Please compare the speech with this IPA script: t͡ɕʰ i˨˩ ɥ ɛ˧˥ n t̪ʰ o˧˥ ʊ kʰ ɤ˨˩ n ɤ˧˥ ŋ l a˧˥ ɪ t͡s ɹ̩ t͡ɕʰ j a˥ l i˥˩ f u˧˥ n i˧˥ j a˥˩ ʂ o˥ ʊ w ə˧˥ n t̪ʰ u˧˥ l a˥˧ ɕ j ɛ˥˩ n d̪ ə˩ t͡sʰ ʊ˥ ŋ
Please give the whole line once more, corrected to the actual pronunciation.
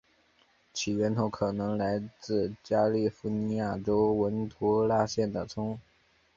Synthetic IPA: t͡ɕʰ i˨˩ ɥ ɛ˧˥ n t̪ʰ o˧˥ ʊ kʰ ɤ˨˩ n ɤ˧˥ ŋ l a˧˥ ɪ t͡s ɹ̩ t͡ɕ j a˥ l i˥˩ f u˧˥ n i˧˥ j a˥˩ ʈ͡ʂ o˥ ʊ w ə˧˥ n t̪ʰ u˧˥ l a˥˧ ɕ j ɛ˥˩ n d̪ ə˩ t͡sʰ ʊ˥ ŋ